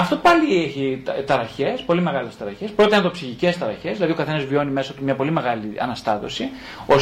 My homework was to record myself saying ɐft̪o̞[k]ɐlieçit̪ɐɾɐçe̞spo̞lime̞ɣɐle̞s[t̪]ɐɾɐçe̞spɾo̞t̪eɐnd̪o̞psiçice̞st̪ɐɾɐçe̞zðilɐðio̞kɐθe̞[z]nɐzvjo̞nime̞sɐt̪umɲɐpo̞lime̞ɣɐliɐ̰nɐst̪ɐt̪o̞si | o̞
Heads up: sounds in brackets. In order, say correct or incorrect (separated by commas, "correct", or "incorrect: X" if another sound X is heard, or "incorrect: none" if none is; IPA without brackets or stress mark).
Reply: incorrect: p, correct, incorrect: none